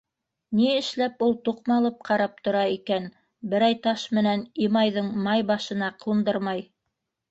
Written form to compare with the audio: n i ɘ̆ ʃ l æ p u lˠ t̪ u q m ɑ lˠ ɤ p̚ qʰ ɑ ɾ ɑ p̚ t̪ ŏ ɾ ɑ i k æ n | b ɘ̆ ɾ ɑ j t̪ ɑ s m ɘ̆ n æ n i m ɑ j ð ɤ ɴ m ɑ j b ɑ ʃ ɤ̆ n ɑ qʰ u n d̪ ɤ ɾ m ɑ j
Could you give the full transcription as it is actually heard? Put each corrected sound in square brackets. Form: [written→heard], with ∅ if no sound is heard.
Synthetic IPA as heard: n i ɘ̆ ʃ l æ p u lˠ t̪ u q m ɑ lˠ ɤ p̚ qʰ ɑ ɾ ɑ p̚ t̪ ŏ ɾ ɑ i k æ n | b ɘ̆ ɾ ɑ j t̪ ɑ [s→ʃ] m ɘ̆ n æ n i m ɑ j ð ɤ ɴ m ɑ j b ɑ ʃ ɤ̆ n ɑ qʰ u n d̪ ɤ ɾ m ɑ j